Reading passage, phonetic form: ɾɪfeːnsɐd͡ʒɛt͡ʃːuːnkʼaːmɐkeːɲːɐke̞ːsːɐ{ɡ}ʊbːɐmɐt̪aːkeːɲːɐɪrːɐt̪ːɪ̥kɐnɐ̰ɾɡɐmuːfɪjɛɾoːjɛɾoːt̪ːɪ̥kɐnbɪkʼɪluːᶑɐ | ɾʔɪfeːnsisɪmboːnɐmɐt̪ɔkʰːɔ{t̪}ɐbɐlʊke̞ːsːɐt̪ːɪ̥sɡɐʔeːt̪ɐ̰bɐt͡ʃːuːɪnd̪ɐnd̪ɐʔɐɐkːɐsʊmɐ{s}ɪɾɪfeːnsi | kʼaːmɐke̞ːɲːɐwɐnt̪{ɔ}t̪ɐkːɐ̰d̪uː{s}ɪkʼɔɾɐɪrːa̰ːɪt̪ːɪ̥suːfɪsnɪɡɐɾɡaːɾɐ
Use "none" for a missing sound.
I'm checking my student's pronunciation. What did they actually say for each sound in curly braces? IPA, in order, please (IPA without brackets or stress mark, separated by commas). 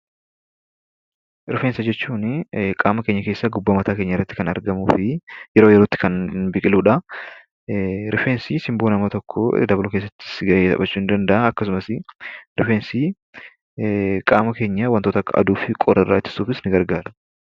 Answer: ɡ, d̪, s, o, f